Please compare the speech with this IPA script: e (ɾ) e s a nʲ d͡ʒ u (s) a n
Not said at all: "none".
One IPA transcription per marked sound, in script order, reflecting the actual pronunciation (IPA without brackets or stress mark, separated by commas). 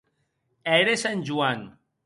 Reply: ɾ, none